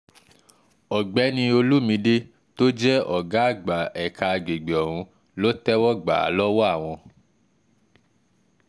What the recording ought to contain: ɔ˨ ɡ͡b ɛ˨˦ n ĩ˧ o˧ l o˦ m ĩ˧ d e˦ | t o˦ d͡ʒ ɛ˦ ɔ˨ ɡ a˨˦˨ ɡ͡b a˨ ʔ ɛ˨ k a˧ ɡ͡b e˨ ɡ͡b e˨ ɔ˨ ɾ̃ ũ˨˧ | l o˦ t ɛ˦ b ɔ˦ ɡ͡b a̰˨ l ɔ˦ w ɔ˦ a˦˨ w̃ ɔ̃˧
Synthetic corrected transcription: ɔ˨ ɡ͡b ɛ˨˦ n ĩ˧ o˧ l u˦ m ĩ˧ d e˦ | t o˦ d͡ʒ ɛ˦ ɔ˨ ɡ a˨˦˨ ɡ͡b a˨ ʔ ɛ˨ k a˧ ɡ͡b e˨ ɡ͡b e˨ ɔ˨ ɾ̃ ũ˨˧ | l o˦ t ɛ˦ w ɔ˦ ɡ͡b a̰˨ l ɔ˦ w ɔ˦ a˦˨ w̃ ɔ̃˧